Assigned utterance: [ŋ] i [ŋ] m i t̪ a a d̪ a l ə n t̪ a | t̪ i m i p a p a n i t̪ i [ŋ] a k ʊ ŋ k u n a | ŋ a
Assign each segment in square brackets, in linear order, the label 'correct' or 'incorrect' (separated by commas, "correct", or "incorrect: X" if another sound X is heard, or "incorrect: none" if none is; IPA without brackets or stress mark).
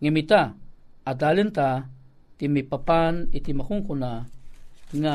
correct, incorrect: none, incorrect: m